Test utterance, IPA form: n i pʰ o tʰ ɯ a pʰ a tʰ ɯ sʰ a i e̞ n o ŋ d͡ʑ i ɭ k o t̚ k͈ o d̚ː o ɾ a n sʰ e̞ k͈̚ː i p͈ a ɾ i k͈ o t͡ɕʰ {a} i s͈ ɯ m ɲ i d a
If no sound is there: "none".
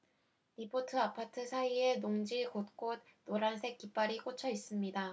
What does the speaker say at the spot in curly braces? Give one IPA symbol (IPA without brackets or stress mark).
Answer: ʌ